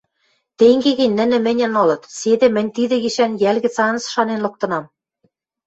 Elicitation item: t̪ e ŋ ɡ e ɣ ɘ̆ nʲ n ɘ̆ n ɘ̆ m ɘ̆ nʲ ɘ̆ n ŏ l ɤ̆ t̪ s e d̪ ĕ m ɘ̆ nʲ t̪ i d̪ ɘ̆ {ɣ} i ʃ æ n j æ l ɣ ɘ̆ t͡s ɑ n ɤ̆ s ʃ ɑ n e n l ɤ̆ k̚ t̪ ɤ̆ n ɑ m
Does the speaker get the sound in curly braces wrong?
no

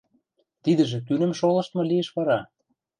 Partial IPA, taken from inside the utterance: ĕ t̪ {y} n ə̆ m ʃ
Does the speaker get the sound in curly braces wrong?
no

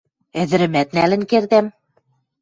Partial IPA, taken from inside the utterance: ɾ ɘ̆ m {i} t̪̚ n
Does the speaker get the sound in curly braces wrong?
yes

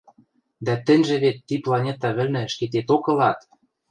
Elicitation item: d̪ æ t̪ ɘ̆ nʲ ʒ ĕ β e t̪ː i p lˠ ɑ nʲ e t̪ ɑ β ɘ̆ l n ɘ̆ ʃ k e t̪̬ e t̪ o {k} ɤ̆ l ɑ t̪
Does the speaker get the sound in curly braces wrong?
no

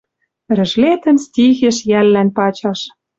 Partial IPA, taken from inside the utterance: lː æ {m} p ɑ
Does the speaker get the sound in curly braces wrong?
yes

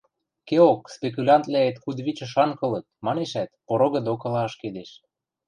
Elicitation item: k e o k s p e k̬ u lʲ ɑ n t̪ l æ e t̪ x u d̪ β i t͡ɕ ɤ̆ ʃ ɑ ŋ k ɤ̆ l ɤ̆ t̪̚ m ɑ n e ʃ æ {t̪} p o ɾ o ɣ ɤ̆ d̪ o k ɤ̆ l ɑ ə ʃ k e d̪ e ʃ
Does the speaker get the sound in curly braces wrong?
no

